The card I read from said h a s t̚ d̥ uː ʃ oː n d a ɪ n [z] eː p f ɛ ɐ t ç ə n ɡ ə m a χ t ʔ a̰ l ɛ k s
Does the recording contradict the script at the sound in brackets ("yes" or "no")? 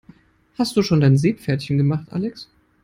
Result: no